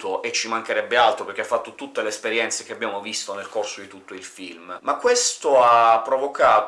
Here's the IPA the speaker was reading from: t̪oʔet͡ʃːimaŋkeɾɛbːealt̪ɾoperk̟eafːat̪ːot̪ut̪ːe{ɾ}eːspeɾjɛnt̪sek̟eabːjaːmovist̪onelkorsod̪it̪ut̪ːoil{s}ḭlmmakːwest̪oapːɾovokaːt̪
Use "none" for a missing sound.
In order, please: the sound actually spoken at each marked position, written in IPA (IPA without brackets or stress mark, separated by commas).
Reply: l, f